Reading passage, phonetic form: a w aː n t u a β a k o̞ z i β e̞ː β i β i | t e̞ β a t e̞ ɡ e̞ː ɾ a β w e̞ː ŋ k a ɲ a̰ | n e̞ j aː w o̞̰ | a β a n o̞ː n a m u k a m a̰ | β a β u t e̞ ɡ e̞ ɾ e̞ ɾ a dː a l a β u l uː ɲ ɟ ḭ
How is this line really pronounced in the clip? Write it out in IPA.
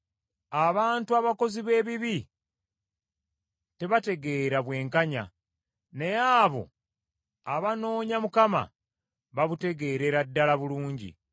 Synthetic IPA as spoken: a β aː n t u a β a k o̞ z i β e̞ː β i β i | t e̞ β a t e̞ ɡ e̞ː ɾ a β w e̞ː ŋ k a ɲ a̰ | n e̞ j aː β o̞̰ | a β a n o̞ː ɲ a m u k a m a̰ | β a β u t e̞ ɡ e̞ ɾ e̞ ɾ a dː a l a β u l uː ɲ ɟ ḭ